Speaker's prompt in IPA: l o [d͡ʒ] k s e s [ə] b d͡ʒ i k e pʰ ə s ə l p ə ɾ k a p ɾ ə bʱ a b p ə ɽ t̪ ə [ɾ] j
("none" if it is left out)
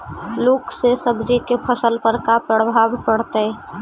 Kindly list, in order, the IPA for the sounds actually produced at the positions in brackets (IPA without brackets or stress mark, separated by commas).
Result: none, ə, none